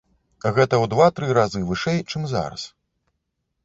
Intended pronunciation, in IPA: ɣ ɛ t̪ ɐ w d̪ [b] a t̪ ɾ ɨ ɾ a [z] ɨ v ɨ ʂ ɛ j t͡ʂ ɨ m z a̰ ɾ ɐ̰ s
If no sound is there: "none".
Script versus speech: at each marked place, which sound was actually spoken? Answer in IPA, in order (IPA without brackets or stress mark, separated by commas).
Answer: v, z